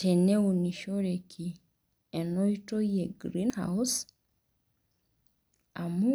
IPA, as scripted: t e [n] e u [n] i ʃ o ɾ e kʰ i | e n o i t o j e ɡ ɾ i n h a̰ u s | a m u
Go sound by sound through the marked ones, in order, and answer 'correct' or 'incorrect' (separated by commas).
correct, correct